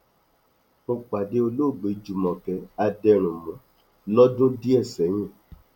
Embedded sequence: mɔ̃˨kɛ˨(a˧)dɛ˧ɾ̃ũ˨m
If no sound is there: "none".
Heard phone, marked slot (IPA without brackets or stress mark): a˧